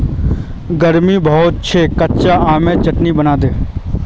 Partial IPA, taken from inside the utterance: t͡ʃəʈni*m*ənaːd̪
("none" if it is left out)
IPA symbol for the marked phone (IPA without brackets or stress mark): b